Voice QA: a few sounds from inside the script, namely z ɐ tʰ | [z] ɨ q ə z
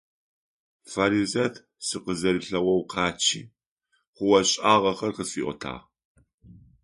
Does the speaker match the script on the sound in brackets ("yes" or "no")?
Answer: no